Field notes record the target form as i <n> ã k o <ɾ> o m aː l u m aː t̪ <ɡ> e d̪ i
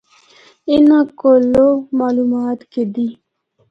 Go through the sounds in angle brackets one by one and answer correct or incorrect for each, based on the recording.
correct, incorrect, incorrect

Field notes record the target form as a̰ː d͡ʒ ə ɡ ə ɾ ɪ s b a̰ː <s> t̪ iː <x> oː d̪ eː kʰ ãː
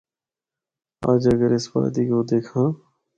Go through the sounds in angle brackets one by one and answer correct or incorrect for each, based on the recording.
incorrect, incorrect

